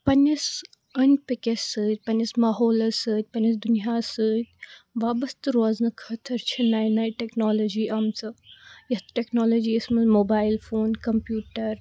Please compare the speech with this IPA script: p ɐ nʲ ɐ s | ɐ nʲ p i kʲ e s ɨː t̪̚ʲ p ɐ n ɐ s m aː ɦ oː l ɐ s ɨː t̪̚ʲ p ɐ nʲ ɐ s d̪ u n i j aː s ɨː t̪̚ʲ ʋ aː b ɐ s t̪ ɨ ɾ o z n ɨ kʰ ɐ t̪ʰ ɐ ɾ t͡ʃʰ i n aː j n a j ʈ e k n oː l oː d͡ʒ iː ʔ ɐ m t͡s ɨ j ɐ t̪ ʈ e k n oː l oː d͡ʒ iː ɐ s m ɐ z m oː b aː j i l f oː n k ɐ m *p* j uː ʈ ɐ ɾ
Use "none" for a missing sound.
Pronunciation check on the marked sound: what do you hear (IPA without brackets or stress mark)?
p